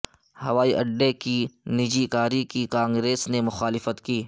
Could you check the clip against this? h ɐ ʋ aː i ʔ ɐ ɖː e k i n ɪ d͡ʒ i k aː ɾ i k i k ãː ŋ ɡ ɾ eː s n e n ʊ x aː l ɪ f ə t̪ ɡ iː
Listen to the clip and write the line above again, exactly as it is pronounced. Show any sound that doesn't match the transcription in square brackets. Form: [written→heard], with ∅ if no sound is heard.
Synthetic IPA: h ɐ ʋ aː i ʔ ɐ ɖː e k i n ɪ d͡ʒ i k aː ɾ i k i k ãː ŋ ɡ ɾ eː s n e [n→m] ʊ x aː l ɪ f ə t̪ [ɡ→k] iː